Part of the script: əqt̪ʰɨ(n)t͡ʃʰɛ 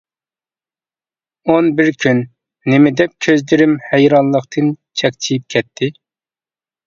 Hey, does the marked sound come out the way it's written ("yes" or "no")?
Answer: yes